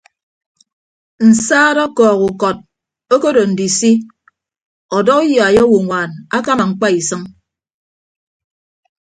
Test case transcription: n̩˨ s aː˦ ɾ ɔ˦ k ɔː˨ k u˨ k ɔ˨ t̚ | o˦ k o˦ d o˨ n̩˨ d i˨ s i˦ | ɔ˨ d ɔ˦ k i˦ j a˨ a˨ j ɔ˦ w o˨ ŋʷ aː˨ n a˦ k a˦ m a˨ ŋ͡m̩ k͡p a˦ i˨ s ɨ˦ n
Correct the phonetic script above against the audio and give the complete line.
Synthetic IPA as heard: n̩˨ s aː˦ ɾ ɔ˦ k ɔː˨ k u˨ k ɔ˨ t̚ | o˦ k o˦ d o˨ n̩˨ d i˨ s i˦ | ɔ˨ d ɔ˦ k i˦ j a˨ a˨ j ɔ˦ w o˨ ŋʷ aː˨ n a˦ k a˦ m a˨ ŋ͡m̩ k͡p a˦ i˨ s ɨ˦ ŋ